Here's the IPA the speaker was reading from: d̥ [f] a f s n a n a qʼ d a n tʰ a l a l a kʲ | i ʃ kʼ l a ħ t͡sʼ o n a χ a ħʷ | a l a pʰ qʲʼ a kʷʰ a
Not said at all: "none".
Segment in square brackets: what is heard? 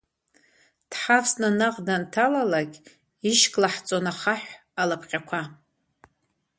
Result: ħ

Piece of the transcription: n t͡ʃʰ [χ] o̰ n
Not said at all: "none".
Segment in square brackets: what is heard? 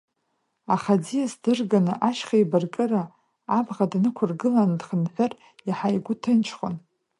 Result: χ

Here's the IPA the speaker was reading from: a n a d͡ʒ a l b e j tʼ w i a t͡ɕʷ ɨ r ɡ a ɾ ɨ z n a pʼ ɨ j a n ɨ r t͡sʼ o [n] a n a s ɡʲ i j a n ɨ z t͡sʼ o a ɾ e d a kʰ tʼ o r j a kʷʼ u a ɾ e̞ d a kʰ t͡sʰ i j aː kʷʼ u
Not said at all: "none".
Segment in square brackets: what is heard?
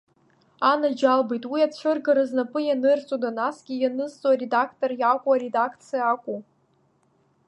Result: d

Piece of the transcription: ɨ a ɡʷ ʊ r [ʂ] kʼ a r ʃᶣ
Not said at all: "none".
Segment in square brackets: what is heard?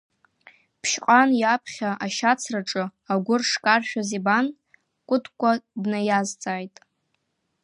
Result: ʂ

